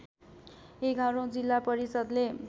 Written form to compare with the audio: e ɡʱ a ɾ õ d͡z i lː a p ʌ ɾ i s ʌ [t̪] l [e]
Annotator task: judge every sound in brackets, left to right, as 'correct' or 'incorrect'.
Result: incorrect: d̪, correct

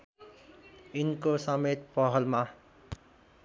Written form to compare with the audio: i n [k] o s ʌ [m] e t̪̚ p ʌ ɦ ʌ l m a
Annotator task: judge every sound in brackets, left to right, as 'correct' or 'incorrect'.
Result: correct, correct

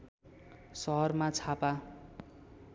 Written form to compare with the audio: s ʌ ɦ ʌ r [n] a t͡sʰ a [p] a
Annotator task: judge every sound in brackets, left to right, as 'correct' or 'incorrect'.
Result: incorrect: m, correct

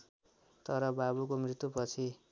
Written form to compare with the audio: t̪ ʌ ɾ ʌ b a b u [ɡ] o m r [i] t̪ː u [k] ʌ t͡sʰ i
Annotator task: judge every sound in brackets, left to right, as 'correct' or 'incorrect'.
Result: incorrect: k, correct, incorrect: p

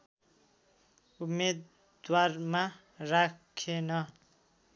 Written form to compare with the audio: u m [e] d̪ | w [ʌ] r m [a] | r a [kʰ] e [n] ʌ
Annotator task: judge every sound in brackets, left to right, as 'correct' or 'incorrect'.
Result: correct, incorrect: a, correct, correct, correct

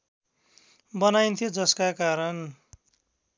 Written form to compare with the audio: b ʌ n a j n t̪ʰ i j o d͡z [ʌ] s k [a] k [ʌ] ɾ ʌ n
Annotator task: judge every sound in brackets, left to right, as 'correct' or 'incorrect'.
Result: correct, correct, incorrect: a

